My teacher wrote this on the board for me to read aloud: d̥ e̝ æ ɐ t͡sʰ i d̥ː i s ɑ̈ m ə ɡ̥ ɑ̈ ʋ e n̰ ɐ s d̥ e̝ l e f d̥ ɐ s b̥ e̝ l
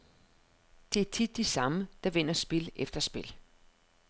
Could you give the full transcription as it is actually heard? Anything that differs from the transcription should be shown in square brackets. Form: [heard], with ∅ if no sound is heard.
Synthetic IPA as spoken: d̥ e̝ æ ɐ t͡sʰ i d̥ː i s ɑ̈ m ə [d̥] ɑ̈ ʋ e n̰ ɐ s [b̥] e̝ l e f d̥ ɐ s b̥ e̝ l